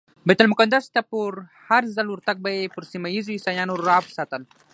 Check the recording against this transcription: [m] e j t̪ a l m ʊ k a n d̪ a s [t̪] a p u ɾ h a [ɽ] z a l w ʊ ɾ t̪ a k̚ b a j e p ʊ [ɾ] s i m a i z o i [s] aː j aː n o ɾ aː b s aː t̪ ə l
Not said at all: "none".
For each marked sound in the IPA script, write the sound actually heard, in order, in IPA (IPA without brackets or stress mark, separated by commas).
b, t̪, ɾ, ɾ, s